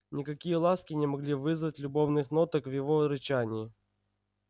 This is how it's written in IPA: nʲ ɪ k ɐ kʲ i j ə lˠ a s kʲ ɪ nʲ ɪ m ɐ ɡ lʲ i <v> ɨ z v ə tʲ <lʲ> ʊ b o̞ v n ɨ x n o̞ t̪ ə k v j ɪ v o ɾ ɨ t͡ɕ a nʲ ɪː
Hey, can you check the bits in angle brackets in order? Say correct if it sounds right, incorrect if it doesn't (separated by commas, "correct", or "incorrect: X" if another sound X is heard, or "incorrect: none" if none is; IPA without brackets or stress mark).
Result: correct, correct